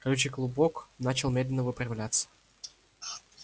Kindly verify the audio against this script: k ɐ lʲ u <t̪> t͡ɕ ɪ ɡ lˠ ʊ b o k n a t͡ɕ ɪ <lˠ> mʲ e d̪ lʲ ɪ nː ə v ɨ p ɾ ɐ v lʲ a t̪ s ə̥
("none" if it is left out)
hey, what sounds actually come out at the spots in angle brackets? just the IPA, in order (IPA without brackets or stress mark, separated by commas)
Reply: none, lˠ